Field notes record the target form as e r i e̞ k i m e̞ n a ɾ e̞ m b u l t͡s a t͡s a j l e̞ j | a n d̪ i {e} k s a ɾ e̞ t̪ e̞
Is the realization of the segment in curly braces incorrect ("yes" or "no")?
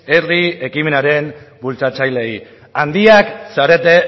yes